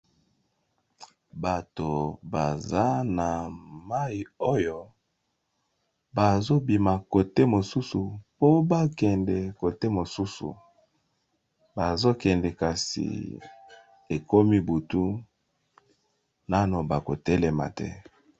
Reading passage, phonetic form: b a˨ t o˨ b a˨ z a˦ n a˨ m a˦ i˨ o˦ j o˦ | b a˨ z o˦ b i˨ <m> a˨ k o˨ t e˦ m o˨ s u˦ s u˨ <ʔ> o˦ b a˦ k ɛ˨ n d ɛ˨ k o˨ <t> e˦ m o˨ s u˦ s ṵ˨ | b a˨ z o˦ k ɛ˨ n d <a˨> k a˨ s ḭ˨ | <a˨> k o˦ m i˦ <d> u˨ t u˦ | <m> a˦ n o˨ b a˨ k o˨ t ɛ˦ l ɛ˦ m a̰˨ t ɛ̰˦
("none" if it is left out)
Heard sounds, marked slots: m, p, t, ɛ˨, e˨, b, n

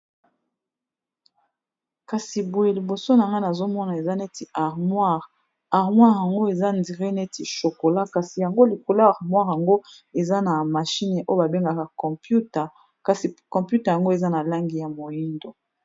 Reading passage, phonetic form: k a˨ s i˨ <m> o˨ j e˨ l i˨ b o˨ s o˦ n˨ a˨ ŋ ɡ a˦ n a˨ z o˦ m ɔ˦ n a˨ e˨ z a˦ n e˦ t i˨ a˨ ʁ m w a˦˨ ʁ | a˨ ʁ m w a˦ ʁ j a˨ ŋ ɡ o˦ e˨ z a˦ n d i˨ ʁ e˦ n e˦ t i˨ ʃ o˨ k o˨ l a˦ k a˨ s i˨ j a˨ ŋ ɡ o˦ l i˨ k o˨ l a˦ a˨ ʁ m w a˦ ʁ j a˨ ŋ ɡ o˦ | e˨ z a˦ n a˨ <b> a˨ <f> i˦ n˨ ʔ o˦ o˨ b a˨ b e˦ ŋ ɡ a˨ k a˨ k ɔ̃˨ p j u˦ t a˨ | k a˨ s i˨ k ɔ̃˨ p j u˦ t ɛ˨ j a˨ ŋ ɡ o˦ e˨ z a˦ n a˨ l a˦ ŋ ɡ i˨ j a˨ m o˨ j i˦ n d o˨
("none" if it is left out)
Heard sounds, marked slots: b, m, ʃ

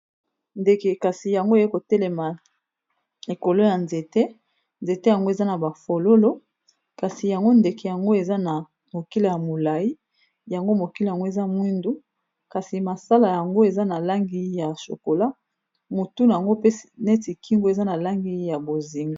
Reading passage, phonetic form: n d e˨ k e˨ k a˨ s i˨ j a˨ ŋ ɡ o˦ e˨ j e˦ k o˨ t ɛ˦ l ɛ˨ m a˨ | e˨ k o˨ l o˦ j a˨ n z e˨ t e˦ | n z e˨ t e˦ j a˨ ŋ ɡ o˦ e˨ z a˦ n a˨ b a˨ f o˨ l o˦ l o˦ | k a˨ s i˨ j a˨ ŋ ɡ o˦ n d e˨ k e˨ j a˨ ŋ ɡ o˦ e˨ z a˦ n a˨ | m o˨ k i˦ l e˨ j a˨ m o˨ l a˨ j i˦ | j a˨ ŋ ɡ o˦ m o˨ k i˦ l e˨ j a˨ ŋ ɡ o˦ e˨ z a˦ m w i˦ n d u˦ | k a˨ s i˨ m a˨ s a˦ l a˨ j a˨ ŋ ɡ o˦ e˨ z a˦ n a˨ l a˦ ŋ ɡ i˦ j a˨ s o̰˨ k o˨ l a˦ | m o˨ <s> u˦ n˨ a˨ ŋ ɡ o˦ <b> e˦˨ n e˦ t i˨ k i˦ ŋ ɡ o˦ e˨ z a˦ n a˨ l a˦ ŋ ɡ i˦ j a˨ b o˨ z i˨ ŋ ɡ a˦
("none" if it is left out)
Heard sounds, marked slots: t, p

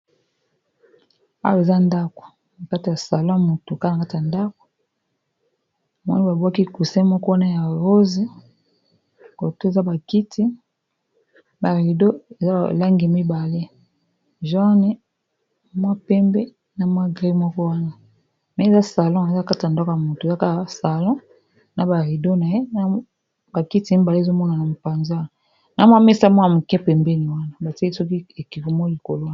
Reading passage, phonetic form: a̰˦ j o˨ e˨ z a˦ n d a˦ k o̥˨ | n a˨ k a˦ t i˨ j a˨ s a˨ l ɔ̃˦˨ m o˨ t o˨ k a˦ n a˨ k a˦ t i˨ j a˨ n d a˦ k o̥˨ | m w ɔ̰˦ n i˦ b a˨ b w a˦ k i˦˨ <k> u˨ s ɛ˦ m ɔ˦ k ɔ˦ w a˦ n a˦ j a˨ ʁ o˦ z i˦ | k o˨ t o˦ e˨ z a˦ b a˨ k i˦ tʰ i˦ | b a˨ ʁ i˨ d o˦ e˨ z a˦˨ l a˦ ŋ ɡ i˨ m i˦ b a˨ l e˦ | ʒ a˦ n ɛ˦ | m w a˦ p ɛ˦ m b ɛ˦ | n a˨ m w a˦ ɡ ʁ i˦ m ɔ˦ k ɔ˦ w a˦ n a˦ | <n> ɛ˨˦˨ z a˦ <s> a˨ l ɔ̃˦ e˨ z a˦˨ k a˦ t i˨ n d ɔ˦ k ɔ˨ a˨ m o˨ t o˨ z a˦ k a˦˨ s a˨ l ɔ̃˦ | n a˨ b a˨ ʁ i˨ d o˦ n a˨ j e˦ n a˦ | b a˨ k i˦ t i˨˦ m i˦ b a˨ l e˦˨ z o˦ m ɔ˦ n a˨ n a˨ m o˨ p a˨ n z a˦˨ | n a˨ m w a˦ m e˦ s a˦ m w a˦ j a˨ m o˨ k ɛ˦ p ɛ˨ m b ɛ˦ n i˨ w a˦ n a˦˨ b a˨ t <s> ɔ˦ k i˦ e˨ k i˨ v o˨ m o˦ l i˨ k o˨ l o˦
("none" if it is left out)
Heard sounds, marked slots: k, m, s, s

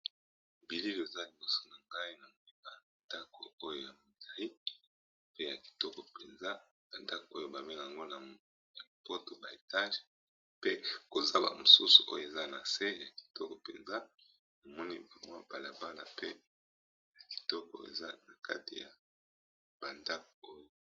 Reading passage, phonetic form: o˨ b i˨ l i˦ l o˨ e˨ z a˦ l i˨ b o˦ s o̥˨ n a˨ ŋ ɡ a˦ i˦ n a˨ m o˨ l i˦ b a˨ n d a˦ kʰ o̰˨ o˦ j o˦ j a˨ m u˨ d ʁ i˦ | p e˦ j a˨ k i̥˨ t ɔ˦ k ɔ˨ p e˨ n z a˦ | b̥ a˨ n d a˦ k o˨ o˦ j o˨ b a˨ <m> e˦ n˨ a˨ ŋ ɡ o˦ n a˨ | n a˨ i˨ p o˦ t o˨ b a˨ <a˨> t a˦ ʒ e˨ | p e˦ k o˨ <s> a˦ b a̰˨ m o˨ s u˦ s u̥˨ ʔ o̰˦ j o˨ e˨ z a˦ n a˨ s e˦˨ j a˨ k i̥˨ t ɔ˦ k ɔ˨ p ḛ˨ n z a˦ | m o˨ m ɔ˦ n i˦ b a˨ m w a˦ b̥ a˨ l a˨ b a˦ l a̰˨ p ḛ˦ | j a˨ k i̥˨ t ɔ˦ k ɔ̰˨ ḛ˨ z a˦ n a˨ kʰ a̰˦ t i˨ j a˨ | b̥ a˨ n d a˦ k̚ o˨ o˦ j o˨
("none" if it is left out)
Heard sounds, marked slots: m, e˨, z

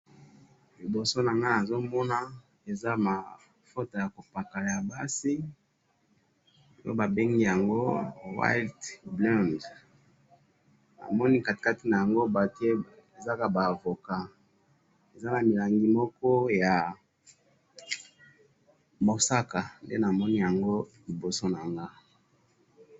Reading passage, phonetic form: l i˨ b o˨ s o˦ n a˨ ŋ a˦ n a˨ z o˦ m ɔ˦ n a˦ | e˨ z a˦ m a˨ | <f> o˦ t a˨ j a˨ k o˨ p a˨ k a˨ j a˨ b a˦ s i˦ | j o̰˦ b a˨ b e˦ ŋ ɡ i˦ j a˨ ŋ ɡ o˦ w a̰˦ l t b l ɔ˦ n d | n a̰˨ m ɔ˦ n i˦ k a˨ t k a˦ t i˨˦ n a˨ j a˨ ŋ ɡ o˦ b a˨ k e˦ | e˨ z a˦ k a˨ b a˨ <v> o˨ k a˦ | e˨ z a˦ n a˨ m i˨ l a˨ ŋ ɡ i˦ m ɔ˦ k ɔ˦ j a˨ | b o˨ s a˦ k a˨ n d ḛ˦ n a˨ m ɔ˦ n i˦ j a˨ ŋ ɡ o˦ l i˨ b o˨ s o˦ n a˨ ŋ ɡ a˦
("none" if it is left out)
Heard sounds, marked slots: f, v

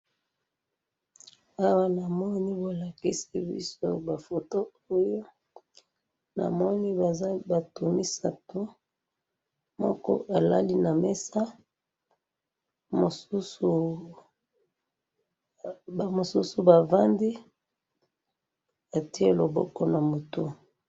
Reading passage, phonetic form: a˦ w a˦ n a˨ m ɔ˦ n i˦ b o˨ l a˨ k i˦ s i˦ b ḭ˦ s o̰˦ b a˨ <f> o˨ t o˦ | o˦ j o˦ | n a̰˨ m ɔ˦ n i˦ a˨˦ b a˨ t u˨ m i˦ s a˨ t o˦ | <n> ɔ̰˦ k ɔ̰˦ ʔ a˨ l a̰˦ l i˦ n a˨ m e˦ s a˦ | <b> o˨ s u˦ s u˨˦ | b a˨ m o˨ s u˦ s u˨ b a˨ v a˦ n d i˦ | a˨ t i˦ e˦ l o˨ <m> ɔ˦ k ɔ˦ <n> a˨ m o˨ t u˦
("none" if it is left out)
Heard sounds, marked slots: f, m, m, b, n

